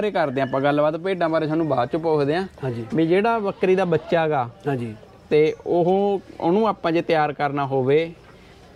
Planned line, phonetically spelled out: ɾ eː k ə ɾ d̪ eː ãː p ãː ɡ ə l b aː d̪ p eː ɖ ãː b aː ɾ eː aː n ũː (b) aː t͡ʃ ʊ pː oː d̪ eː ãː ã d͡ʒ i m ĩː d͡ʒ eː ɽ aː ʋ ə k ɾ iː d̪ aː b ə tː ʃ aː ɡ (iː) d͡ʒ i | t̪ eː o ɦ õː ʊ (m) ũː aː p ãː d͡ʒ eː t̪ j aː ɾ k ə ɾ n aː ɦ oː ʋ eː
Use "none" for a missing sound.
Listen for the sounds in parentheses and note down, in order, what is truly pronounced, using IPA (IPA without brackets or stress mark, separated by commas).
b, aː, n